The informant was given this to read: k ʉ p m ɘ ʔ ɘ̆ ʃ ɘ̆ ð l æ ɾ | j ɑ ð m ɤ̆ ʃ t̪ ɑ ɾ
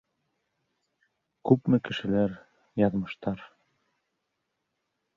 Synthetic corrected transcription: k ʉ p m ɘ k ɘ̆ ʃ ɘ̆ l æ ɾ | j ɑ ð m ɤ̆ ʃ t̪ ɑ ɾ

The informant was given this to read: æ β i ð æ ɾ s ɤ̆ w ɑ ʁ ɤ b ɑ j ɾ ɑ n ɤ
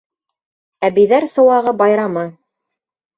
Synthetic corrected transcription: æ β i ð æ ɾ s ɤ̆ w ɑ ʁ ɤ b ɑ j ɾ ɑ m ɤ

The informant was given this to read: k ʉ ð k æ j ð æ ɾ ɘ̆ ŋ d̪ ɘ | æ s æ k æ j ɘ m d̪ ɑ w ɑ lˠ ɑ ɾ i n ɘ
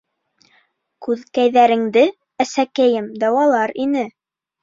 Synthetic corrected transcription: k ʉ ð k æ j ð æ ɾ ɘ̆ ŋ d̪ ɘ | æ s æ k æ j ɘ m d̪ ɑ w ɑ lˠ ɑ ɾ i n ɘ

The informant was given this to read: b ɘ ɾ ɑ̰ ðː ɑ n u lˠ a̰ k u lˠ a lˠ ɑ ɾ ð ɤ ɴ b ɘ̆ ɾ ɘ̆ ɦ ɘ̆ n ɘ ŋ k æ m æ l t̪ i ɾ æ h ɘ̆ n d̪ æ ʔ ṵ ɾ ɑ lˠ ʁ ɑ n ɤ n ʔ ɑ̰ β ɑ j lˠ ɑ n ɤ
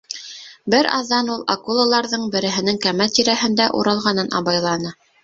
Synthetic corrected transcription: b ɘ ɾ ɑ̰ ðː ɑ n u lˠ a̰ k u lˠ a lˠ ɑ ɾ ð ɤ ɴ b ɘ̆ ɾ ɘ̆ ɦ ɘ̆ n ɘ ŋ k æ m æ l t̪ i ɾ æ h ɘ̆ n d̪ æ ʔ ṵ ɾ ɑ lˠ ʁ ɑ n ɤ n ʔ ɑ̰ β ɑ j lˠ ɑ n ɤ

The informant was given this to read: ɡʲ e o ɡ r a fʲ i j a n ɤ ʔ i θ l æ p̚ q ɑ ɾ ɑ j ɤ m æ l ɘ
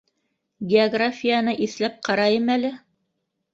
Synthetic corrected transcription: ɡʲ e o ɡ r a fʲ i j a n ɤ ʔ i θ l æ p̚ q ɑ ɾ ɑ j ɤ m æ l ɘ

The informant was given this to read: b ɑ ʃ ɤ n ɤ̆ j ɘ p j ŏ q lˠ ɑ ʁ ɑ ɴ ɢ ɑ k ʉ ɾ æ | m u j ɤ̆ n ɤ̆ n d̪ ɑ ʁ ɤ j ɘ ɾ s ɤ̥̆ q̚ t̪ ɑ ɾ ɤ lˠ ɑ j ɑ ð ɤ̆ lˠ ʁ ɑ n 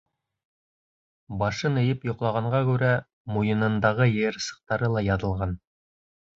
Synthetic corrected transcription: b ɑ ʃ ɤ n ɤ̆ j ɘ p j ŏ q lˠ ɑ ʁ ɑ ɴ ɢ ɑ k ʉ ɾ æ | m u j ɤ̆ n ɤ̆ n d̪ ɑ ʁ ɤ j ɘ ɾ s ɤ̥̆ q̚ t̪ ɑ ɾ ɤ lˠ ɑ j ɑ ð ɤ̆ lˠ ʁ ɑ n

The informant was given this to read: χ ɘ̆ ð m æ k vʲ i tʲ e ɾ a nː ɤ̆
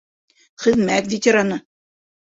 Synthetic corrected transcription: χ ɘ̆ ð m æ k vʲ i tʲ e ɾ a n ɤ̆

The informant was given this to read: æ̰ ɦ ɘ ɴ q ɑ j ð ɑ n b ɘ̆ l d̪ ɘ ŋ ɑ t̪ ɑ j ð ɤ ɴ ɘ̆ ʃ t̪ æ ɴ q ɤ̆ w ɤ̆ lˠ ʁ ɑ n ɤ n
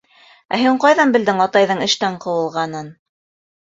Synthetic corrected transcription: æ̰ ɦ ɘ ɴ q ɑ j ð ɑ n b ɘ̆ l d̪ ɘ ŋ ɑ t̪ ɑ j ð ɤ ɴ ɘ̆ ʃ t̪ æ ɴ q ɤ̆ w ɤ̆ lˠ ʁ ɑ n ɤ n

